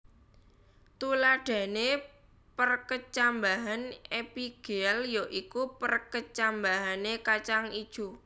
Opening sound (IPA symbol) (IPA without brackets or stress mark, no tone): t̪